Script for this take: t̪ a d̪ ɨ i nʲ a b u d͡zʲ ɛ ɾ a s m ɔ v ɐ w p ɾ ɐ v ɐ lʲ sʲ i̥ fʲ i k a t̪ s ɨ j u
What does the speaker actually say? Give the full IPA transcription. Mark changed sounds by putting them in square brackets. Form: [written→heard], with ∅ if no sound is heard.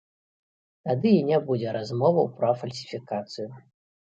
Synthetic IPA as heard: t̪ a d̪ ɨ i nʲ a b u d͡zʲ ɛ ɾ a [s→z] m ɔ v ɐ w p ɾ ɐ [v→f] ɐ lʲ sʲ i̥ fʲ i k a t̪ s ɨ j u